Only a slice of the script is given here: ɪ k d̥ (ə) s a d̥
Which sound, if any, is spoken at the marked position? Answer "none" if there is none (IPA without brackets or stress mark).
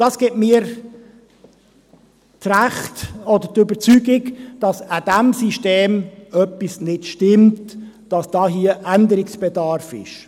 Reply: ɑ